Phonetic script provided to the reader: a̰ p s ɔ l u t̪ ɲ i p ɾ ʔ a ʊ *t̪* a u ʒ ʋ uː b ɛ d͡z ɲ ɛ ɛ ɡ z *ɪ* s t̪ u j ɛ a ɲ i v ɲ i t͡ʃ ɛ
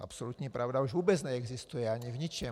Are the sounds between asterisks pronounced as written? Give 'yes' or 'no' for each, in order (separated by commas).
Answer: no, no